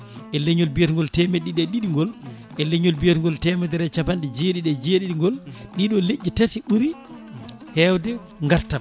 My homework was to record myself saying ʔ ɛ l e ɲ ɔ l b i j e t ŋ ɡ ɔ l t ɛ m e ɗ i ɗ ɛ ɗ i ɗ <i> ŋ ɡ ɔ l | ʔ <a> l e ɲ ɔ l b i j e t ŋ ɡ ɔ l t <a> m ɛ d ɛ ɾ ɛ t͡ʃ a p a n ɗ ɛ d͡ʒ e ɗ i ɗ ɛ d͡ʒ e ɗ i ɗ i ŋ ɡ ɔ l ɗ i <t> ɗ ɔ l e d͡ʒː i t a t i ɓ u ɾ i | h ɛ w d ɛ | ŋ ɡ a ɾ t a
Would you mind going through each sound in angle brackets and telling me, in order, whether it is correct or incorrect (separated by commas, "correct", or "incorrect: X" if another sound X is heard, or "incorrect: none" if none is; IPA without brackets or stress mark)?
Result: correct, incorrect: ɛ, incorrect: ɛ, incorrect: none